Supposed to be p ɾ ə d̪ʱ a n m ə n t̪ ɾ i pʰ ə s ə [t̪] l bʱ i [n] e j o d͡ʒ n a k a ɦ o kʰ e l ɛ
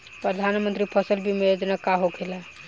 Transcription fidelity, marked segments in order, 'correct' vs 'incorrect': incorrect: none, incorrect: m

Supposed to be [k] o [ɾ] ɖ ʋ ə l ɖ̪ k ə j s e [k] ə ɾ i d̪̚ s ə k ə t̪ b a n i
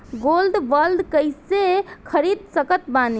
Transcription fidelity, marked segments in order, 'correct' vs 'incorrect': incorrect: ɡ, incorrect: l, incorrect: kʰ

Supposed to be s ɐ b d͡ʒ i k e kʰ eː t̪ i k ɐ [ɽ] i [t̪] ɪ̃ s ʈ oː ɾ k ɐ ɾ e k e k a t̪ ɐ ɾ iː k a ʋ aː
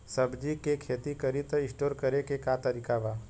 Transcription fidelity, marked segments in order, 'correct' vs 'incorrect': incorrect: ɾ, correct

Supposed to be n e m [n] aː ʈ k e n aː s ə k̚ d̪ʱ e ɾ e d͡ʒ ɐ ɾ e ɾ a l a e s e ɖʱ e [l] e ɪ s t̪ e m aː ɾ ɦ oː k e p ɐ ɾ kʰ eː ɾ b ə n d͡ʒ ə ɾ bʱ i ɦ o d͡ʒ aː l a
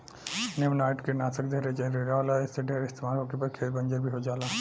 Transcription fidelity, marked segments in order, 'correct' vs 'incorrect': correct, incorrect: ɾ

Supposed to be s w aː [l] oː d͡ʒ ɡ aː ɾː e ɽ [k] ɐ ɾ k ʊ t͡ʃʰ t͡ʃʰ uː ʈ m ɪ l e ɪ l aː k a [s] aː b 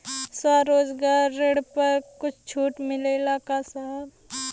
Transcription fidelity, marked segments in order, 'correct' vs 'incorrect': incorrect: ɾ, incorrect: p, correct

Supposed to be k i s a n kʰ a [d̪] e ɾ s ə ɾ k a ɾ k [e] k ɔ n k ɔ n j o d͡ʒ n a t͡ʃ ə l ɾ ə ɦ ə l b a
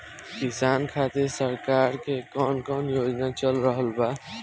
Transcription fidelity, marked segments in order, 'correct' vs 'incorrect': incorrect: t̪, correct

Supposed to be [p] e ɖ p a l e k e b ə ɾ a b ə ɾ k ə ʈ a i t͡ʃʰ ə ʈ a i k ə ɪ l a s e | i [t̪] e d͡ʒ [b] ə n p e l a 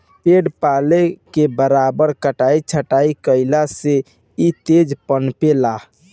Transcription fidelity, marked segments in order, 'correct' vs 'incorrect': correct, correct, incorrect: p

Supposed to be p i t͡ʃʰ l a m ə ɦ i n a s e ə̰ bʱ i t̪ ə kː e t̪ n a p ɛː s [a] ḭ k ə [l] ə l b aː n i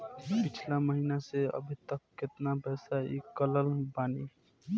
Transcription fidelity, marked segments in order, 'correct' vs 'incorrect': correct, correct

